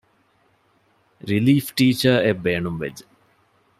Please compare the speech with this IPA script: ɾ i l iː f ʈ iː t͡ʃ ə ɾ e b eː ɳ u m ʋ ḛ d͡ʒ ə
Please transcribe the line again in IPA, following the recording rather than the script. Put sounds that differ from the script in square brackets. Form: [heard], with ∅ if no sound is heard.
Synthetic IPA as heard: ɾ i l iː f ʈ iː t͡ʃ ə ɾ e b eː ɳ u m ʋ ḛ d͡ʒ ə